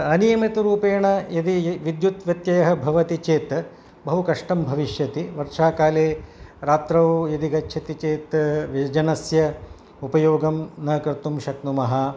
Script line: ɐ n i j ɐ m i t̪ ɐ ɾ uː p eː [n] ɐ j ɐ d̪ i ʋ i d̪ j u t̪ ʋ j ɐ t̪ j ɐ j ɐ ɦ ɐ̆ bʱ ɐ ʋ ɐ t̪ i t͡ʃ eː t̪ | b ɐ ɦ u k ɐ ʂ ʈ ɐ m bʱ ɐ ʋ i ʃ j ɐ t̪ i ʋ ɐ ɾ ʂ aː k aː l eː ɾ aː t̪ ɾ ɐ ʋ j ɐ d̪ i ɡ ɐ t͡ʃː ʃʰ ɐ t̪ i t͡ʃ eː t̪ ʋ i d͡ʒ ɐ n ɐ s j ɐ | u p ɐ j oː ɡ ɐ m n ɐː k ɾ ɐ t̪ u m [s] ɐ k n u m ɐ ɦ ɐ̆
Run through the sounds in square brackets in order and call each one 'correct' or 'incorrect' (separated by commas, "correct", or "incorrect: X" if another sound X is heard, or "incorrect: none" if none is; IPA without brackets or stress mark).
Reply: incorrect: ɳ, incorrect: ʃ